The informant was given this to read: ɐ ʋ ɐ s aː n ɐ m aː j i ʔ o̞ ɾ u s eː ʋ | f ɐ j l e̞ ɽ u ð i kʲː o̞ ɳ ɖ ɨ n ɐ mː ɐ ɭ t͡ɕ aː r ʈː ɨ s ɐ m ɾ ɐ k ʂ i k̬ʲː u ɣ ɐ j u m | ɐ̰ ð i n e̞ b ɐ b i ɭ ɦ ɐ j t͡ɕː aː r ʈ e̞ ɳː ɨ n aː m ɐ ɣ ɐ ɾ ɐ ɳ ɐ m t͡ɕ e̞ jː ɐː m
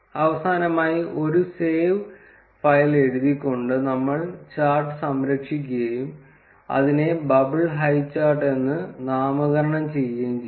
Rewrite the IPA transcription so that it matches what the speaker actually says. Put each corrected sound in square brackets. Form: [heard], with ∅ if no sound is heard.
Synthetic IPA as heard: ɐ ʋ ɐ s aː n ɐ m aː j i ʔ o̞ ɾ u s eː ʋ | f ɐ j l e̞ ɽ u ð i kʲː o̞ ɳ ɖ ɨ n ɐ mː ɐ ɭ t͡ɕ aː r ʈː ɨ s ɐ m ɾ ɐ k ʂ i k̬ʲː u ɣ ɐ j u m | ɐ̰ ð i n e̞ b ɐ b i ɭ ɦ ɐ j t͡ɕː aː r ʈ e̞ [nː] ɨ n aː m ɐ ɣ ɐ ɾ ɐ ɳ ɐ m t͡ɕ e̞ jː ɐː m